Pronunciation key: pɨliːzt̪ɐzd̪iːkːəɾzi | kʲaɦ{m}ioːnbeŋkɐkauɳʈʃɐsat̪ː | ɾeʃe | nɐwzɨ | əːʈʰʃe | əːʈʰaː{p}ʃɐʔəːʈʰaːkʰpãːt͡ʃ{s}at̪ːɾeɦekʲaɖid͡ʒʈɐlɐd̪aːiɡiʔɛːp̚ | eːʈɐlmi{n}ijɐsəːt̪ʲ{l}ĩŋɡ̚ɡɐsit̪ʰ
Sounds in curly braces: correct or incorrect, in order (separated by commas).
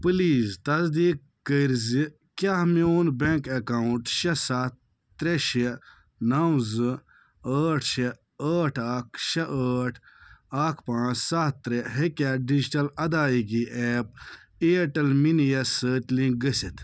correct, incorrect, correct, correct, correct